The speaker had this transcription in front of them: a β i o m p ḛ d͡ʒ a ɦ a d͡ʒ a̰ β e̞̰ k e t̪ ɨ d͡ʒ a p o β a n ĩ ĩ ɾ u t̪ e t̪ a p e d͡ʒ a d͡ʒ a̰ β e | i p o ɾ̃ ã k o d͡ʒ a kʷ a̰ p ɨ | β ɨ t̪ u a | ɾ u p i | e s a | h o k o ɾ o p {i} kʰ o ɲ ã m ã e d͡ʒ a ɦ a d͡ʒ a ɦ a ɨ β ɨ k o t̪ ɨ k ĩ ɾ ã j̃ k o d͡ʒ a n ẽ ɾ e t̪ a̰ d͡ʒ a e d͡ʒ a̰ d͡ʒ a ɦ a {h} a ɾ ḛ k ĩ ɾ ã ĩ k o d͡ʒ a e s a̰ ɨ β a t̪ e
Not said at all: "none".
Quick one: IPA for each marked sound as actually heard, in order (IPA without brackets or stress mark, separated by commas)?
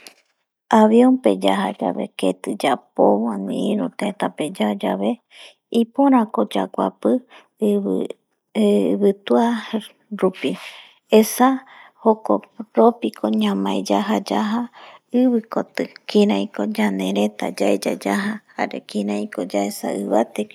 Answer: i, h